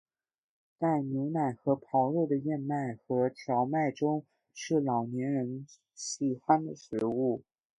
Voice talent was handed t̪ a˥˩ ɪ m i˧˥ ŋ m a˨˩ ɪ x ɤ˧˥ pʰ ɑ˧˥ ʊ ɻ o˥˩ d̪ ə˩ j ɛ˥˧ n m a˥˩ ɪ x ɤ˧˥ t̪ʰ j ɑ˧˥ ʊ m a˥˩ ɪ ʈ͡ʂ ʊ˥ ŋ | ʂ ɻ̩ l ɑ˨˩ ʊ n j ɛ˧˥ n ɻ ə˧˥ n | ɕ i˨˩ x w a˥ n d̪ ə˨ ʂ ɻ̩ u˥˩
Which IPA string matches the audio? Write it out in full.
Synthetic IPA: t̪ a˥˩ ɪ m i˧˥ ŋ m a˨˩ ɪ x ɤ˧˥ pʰ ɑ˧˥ ʊ ɻ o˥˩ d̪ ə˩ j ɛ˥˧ n m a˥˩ ɪ x ɤ˧˥ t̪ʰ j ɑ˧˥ ʊ m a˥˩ ɪ ʈ͡ʂ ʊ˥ ŋ | ʂ ɻ̩ l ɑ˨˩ ʊ n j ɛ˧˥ n ɻ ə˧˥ n | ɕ i˨˩ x w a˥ n d̪ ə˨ ʂ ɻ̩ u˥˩